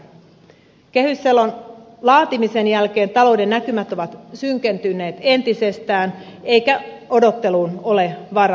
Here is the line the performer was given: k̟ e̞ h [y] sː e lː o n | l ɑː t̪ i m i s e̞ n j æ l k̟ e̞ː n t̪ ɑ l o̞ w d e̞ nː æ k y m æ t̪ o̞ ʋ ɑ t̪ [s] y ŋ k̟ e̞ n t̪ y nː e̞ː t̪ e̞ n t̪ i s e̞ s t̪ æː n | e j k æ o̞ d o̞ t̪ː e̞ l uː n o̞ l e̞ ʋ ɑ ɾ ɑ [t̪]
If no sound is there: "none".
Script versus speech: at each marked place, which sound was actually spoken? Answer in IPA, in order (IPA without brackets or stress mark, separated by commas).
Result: y, s, none